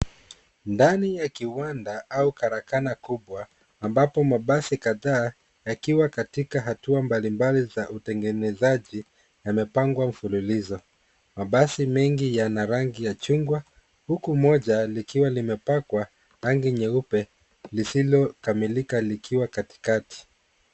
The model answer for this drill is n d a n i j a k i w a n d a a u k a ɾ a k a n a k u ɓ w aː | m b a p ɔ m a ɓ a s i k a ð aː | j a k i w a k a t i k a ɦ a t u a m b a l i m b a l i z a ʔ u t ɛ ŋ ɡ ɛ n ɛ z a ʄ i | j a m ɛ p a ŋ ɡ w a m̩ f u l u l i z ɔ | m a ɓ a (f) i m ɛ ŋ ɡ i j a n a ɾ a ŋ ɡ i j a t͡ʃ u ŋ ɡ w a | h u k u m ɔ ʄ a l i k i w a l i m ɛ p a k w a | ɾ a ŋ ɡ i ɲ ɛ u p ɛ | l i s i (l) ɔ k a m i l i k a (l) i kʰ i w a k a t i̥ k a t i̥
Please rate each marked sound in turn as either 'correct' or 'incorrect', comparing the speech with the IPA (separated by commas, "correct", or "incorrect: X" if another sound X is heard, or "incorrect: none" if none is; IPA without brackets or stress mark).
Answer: incorrect: s, correct, correct